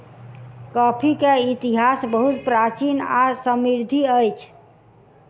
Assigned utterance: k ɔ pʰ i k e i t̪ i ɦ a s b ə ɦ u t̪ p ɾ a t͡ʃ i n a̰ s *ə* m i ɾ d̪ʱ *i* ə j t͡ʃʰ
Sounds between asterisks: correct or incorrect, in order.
correct, correct

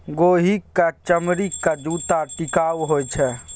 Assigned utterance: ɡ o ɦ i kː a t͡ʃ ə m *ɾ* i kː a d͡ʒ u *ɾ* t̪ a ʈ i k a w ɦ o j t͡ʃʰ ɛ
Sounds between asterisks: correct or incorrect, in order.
correct, incorrect: none

